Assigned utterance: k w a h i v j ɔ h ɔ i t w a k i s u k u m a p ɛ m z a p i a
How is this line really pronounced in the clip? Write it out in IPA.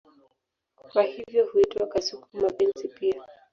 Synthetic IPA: k w a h i v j ɔ h u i t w a k a s u k u m a p ɛ n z i p i a